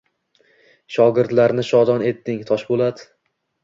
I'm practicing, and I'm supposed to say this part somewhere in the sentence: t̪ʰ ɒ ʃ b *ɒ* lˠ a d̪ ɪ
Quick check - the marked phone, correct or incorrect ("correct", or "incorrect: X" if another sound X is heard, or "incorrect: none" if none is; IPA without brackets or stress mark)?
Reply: incorrect: o